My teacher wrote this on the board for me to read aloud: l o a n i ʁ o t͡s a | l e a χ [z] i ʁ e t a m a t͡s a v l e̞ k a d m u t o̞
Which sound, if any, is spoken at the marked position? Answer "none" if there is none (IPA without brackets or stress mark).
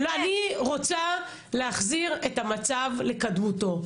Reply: z